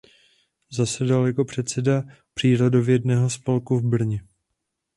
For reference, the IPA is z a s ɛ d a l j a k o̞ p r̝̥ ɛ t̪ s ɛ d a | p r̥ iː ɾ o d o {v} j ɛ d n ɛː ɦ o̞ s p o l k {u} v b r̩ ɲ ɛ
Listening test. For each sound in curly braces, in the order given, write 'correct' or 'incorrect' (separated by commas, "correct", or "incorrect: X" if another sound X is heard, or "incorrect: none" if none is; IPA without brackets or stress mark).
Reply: correct, correct